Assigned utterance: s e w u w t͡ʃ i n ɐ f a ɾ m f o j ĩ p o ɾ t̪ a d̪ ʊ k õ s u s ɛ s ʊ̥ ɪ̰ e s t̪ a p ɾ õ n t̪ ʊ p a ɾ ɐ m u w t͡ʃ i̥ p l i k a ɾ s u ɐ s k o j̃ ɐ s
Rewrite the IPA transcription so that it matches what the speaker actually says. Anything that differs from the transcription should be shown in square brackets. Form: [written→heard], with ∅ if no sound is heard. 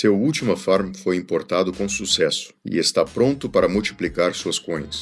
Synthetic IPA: s e w u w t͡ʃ i [n→m] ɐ f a ɾ m f o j ĩ p o ɾ t̪ a d̪ ʊ k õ s u s ɛ s ʊ̥ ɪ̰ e s t̪ a p ɾ õ n t̪ ʊ p a ɾ ɐ m u w t͡ʃ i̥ p l i k a ɾ s u ɐ s k [o→õ] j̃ ɐ s